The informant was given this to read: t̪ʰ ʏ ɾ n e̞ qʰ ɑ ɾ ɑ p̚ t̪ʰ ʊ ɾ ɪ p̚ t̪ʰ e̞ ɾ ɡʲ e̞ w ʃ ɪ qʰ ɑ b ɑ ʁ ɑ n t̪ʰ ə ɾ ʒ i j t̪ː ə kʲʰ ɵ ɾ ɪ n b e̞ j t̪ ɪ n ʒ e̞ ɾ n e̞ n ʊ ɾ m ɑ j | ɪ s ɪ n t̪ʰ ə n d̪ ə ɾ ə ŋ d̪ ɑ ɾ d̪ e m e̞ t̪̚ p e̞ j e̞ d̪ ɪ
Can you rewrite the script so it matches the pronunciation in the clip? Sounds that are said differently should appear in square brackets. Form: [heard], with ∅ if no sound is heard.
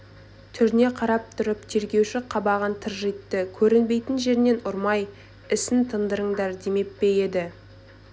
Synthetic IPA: t̪ʰ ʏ ɾ n e̞ qʰ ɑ ɾ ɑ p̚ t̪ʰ ʊ ɾ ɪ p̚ t̪ʰ e̞ ɾ ɡʲ e̞ w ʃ ɪ qʰ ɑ b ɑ ʁ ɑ n t̪ʰ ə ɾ ʒ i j t̪ː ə kʲʰ ɵ ɾ ɪ n b e̞ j t̪ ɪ n ʒ e̞ ɾ n e̞ n ʊ ɾ m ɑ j | ɪ s ɪ n t̪ʰ ə n d̪ ə ɾ ə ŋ d̪ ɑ ɾ d̪ e m e̞ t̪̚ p e̞ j e̞ d̪ ɪ

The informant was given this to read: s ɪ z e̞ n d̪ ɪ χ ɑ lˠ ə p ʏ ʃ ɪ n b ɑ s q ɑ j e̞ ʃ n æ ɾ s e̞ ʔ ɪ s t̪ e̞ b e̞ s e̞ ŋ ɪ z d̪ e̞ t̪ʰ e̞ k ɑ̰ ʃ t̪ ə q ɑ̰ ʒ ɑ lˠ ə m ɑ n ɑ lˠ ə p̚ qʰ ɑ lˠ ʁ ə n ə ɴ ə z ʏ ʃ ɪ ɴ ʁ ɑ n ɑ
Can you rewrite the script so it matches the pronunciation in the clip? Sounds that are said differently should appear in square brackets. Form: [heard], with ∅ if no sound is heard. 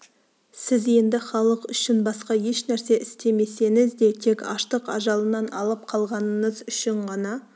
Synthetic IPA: s ɪ z e̞ n d̪ ɪ χ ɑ lˠ ə [q] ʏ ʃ ɪ n b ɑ s q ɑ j e̞ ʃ n æ ɾ s e̞ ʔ ɪ s t̪ e̞ [m] e̞ s e̞ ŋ ɪ z d̪ e̞ t̪ʰ e̞ k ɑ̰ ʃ t̪ ə q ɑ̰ ʒ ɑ lˠ ə [n] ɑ n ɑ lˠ ə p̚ qʰ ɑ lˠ ʁ [ɑ] n ə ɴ ə z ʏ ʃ ɪ ɴ ʁ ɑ n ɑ

